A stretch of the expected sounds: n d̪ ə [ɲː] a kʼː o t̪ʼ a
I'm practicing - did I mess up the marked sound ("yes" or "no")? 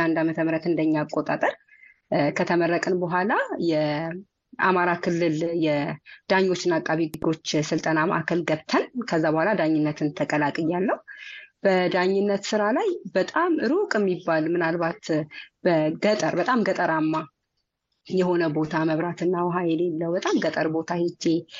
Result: no